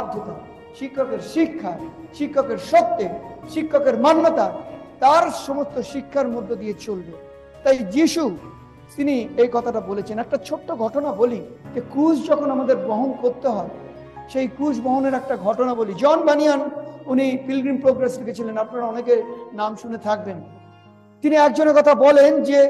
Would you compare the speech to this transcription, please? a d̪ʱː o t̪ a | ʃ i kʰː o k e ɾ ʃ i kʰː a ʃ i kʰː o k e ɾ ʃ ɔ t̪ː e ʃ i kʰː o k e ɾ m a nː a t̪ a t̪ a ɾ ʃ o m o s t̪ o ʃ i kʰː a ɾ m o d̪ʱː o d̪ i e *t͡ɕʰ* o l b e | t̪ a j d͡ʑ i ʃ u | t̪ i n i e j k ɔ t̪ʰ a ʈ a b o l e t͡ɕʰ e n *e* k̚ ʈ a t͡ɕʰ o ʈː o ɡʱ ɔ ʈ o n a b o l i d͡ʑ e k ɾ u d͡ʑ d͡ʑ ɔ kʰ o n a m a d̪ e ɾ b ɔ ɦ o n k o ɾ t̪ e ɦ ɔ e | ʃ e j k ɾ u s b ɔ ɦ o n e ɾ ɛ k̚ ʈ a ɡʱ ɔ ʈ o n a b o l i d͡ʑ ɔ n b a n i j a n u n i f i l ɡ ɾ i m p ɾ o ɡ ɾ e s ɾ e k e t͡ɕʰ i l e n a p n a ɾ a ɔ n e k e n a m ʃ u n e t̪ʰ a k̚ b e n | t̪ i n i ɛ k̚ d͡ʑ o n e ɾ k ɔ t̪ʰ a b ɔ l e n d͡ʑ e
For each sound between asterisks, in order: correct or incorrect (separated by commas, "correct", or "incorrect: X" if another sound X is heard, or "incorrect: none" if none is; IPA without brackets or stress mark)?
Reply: incorrect: t͡ɕ, incorrect: ɛ